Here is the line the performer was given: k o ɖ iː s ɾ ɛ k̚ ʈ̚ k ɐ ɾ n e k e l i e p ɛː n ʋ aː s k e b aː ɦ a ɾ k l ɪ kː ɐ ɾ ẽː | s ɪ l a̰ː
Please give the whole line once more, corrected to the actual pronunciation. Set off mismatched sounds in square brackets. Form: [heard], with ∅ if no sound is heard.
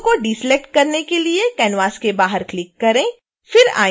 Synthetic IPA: k o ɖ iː s [l] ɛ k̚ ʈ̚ k ɐ ɾ n e k e l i e [k] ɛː n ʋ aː s k e b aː ɦ [ə] ɾ k l ɪ kː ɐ ɾ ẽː | [f] ɪ [ɾ] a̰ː